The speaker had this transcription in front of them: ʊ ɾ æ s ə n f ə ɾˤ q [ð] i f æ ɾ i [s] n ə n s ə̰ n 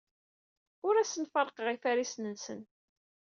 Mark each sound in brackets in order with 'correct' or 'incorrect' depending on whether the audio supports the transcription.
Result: incorrect: ʁ, correct

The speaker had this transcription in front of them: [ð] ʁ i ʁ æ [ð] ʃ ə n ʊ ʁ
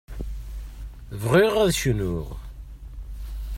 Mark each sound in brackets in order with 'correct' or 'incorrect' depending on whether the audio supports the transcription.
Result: incorrect: v, correct

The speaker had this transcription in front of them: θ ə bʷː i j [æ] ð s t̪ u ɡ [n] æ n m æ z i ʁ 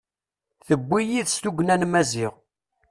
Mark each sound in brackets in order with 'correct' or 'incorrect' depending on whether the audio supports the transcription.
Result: incorrect: i, correct

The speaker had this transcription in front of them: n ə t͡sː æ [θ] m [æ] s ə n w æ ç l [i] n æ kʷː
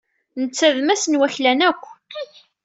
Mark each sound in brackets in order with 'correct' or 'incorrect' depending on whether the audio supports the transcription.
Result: incorrect: ð, correct, incorrect: æ

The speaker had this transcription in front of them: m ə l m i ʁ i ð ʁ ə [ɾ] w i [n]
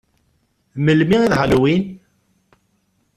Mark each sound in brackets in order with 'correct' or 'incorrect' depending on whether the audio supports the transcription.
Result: incorrect: l, correct

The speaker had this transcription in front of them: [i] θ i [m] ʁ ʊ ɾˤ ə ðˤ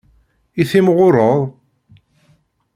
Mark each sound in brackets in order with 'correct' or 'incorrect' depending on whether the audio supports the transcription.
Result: correct, correct

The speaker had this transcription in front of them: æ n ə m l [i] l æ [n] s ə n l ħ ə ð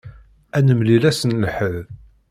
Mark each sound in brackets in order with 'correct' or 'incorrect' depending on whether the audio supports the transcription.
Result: correct, incorrect: none

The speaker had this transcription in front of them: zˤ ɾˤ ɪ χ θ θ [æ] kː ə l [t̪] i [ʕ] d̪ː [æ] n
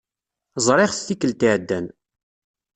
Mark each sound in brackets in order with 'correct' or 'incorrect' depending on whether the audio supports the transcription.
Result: incorrect: i, correct, correct, correct

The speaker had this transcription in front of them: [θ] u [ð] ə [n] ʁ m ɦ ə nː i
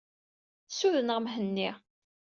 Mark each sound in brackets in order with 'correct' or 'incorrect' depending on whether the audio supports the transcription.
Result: incorrect: s, correct, correct

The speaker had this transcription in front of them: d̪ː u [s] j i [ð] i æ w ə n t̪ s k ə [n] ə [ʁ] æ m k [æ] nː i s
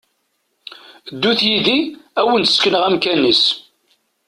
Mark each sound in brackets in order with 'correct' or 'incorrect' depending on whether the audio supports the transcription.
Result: incorrect: θ, correct, correct, correct, correct

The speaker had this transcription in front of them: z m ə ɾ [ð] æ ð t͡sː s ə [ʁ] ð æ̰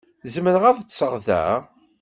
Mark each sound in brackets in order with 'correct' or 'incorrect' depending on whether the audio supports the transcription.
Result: incorrect: ʁ, correct

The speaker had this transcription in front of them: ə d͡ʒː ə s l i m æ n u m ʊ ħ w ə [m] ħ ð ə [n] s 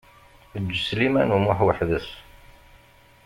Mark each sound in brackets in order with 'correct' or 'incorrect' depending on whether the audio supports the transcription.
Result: incorrect: none, incorrect: none

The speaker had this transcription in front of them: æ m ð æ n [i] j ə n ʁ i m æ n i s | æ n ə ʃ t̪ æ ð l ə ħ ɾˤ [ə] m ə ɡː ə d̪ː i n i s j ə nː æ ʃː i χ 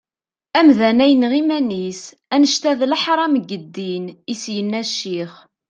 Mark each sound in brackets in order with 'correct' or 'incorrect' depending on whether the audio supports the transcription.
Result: incorrect: æ, incorrect: ɑ

